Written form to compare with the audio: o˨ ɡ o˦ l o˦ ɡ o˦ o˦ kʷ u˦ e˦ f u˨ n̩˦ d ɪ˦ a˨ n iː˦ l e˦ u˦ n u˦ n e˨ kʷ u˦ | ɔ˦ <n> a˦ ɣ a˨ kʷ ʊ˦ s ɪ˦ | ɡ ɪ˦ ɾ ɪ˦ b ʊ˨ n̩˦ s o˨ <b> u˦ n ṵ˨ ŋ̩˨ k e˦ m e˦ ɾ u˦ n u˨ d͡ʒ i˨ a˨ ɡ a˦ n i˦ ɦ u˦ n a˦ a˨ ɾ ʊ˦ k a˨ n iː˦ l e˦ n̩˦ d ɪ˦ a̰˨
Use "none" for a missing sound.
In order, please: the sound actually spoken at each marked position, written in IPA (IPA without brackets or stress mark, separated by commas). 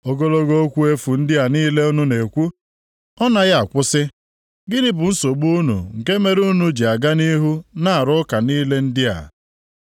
n, ɡ͡b